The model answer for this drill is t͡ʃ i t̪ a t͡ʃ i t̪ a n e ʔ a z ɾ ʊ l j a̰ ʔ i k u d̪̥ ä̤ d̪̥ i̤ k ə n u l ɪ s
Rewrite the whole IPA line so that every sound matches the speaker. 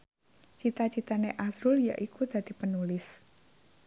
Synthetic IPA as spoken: t͡ʃ i t̪ a t͡ʃ i t̪ a n e ʔ a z ɾ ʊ l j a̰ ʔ i k u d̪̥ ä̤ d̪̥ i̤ p ə n u l ɪ s